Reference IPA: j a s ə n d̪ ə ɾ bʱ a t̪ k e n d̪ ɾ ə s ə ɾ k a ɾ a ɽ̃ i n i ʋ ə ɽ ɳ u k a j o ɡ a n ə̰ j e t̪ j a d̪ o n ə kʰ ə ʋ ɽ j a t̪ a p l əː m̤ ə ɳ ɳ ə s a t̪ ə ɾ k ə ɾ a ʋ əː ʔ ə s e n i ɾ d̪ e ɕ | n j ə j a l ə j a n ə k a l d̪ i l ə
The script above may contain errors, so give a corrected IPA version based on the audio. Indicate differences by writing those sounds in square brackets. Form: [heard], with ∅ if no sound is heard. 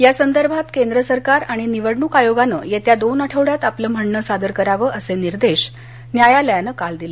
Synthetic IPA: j a s ə n d̪ ə ɾ bʱ a t̪ k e n d̪ ɾ ə s ə ɾ k a ɾ a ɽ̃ i n i ʋ ə ɽ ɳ u k a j o ɡ a n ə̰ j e t̪ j a d̪ o n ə [ʈʰ] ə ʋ ɽ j a t̪ a p l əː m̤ ə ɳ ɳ ə s a [d̪] ə ɾ k ə ɾ a ʋ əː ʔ ə s e n i ɾ d̪ e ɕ | n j [a] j a l ə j a n ə k a l d̪ i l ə